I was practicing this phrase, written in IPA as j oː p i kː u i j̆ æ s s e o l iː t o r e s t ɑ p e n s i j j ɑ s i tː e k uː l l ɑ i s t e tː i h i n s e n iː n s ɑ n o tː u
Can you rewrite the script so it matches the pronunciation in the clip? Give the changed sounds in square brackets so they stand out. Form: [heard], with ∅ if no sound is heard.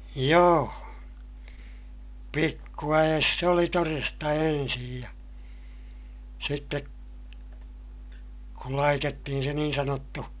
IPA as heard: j oː p i kː u [æ] j̆ [e] s s e o l [i] t o r e s t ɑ [∅] e n s i j j ɑ s i tː e k [u] l l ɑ i [∅] t e tː i h i n s e n iː n s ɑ n o tː u